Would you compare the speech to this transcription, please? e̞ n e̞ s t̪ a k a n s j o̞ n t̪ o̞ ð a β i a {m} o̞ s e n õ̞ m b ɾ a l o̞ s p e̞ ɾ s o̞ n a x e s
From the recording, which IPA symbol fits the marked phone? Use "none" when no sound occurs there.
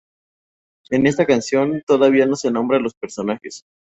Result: n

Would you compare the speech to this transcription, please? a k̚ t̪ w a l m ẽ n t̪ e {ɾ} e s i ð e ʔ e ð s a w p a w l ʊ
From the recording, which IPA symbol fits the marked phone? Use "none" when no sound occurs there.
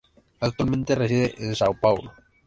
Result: r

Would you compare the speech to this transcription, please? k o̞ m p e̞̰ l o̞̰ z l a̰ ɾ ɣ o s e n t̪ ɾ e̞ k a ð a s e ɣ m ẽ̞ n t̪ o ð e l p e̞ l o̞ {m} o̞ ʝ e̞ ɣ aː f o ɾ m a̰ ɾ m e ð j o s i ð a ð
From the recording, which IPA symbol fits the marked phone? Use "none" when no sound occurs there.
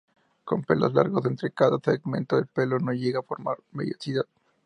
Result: n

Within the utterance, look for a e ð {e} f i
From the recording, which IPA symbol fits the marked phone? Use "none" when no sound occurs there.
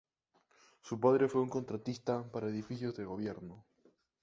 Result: i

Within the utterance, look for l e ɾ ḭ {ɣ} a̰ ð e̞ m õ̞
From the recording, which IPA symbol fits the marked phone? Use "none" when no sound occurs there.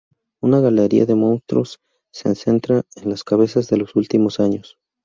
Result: none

